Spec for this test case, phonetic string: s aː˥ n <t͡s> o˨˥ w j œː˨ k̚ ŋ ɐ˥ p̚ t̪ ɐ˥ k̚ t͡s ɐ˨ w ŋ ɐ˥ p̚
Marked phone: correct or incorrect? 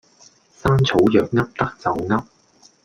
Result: incorrect